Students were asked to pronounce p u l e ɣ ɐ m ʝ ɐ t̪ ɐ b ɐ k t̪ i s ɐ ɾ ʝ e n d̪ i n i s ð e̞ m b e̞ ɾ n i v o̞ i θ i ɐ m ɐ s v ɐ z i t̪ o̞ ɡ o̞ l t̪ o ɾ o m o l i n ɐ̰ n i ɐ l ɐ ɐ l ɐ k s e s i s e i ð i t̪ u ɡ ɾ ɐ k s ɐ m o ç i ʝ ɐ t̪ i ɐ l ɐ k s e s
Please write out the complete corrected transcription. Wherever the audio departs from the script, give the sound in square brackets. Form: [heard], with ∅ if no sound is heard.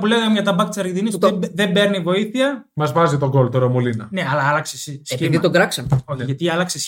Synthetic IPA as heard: p u l e ɣ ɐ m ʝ ɐ t̪ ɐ b ɐ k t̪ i s ɐ ɾ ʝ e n d̪ i n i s ð e̞ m b e̞ ɾ n i v o̞ i θ i ɐ m ɐ [z] v ɐ z i t̪ o̞ ɡ o̞ l t̪ o ɾ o m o l i n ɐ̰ n [e] ɐ l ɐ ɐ l ɐ k s e s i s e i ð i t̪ [o] ɡ ɾ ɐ k s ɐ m o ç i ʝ ɐ t̪ i ɐ l ɐ k s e s